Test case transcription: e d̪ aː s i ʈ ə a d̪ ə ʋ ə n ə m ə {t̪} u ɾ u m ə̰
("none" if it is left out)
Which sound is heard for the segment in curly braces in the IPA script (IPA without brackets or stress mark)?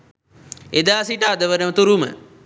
t̪